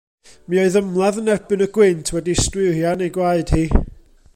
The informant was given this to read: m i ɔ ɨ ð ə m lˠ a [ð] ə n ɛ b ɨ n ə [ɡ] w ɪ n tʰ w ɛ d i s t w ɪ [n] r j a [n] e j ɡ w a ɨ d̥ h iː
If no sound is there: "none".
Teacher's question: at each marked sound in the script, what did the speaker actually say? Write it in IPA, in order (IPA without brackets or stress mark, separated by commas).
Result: ð, ɡ, none, n